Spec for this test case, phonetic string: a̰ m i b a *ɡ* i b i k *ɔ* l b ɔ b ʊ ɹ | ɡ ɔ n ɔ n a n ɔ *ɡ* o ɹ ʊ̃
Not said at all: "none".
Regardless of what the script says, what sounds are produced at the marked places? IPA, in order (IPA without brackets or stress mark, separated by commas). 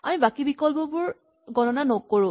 k, ɔ, k